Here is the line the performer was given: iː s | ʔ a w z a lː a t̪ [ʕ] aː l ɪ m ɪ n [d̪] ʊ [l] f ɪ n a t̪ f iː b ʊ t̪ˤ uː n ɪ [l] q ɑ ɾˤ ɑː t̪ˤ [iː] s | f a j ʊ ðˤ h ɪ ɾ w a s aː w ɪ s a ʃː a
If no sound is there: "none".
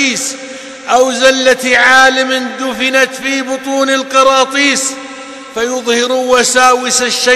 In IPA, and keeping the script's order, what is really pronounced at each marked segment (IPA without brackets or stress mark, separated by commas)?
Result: ʕ, d̪, none, l, iː